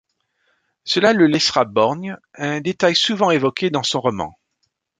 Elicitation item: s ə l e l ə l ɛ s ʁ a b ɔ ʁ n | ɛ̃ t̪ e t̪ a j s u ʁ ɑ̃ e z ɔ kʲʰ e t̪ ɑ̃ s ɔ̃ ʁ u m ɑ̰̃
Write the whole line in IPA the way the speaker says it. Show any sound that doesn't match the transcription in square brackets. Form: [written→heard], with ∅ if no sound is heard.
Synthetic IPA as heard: s ə l [e→a] l ə l ɛ s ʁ a b ɔ ʁ n | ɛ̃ [t̪→d̪] e t̪ a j s u [ʁ→v] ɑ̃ e [z→v] ɔ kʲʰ e [t̪→d̪] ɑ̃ s ɔ̃ ʁ [u→ɔ] m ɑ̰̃